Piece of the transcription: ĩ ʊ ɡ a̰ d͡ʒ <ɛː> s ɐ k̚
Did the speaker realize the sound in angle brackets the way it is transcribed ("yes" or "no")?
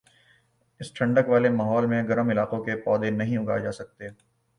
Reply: no